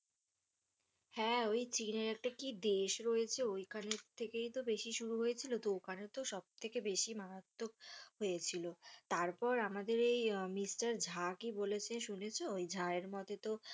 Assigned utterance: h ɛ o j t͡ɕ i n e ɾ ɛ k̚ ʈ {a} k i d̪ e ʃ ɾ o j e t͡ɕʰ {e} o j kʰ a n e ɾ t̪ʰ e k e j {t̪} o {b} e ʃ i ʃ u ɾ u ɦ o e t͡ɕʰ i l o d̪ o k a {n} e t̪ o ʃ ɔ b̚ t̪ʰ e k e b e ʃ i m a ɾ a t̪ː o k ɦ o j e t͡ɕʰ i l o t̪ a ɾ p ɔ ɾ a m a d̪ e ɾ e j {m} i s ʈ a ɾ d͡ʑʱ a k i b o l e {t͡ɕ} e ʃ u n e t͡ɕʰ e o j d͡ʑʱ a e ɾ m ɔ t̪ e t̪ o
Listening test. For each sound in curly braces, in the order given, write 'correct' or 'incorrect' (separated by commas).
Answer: correct, correct, correct, correct, correct, correct, incorrect